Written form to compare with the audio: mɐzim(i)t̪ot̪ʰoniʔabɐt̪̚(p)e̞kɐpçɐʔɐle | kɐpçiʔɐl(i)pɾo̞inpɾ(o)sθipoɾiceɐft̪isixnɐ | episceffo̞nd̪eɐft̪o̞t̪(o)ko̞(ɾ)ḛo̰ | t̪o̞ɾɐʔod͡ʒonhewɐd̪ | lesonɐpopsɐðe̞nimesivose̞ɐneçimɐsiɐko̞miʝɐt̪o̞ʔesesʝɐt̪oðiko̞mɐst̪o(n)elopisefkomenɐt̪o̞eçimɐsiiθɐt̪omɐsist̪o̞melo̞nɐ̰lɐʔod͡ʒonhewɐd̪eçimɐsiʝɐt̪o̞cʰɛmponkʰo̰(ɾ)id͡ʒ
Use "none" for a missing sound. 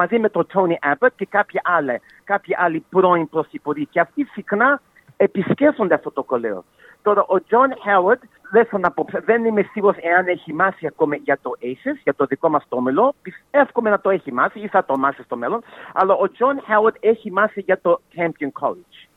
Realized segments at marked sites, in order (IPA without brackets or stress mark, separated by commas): e, c, i, o, o, l, m, l